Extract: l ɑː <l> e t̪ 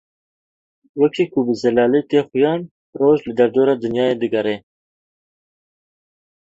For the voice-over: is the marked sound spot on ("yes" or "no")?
yes